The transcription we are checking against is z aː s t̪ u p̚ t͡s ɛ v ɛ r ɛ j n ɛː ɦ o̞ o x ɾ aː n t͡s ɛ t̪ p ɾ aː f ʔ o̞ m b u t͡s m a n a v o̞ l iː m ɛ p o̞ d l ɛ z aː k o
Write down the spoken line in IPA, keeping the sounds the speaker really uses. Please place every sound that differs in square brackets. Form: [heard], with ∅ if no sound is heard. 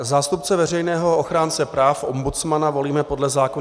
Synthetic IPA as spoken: z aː s t̪ u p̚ t͡s ɛ v ɛ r ɛ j n ɛː ɦ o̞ o x ɾ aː n t͡s ɛ [∅] p ɾ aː f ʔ o̞ m b u t͡s m a n a v o̞ l iː m ɛ p o̞ d l ɛ z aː k o